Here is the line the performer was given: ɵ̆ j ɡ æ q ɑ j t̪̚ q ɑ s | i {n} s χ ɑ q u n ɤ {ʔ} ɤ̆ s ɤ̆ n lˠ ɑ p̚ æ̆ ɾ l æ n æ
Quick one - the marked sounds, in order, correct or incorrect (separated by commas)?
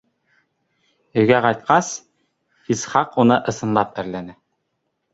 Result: incorrect, correct